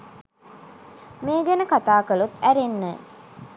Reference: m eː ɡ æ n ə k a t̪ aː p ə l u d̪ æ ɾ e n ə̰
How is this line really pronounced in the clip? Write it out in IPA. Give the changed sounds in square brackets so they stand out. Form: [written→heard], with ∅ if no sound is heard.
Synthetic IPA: m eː ɡ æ n ə k a t̪ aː [p→k] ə l u [d̪→t̪] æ ɾ e [n→nː] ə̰